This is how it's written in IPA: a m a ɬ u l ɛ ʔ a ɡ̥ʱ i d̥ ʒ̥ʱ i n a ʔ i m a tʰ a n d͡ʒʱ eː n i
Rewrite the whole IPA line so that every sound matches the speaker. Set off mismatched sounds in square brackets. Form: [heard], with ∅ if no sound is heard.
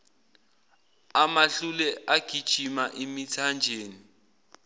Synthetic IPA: a m a ɬ u l ɛ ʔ a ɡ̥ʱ i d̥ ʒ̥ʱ i [m] a ʔ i m [i] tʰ a n d͡ʒʱ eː n i